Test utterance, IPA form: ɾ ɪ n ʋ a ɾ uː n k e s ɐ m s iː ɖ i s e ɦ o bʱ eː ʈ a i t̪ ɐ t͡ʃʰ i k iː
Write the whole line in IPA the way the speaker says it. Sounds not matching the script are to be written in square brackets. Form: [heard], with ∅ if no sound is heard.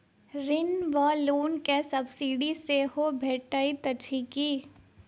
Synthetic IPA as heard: ɾ ɪ n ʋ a [l] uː n k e s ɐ [b] s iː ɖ i s e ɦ o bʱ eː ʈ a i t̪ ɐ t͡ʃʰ i k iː

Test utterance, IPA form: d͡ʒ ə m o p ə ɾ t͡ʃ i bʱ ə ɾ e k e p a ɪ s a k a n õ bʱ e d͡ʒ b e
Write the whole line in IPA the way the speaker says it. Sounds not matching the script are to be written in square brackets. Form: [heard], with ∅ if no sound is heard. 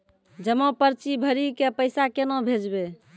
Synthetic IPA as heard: d͡ʒ ə m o p ə ɾ t͡ʃ i bʱ ə ɾ [i] k e p [ə] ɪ s a k [e] n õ bʱ e d͡ʒ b e

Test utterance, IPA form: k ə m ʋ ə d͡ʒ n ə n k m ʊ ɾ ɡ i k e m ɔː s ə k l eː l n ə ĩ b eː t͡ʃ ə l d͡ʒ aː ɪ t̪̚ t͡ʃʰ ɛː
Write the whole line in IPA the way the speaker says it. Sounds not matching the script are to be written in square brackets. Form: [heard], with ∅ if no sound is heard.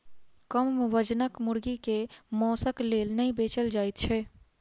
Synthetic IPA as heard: k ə m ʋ ə d͡ʒ n ə [∅] k m ʊ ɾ ɡ i k e m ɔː s ə k l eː l n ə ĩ b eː t͡ʃ ə l d͡ʒ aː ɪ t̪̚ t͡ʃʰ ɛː

